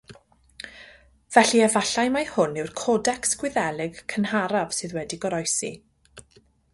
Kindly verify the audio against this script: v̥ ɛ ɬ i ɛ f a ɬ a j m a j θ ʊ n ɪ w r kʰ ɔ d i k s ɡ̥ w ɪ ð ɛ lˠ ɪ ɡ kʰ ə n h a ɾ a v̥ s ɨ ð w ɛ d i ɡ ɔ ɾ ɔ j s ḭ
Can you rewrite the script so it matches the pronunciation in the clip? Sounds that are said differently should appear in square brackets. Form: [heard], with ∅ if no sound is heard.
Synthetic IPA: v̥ ɛ ɬ i ɛ [v] a ɬ a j m a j [h] ʊ n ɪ w r kʰ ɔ d [ɛ] k s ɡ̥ w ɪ ð ɛ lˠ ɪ ɡ kʰ ə n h a ɾ a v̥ s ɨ ð w ɛ d i ɡ ɔ ɾ ɔ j s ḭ

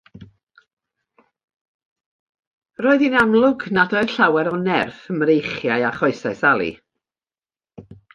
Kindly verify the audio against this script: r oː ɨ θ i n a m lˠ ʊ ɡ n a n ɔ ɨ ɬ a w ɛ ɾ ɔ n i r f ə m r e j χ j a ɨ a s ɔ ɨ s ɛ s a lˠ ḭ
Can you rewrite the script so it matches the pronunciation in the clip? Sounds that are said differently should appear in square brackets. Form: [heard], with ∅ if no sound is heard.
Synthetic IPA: r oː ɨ [ð] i n a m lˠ ʊ ɡ n a [d] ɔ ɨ ɬ a w ɛ ɾ ɔ n [ɛ] r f ə m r e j χ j a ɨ a [χ] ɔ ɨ s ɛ s a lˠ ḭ

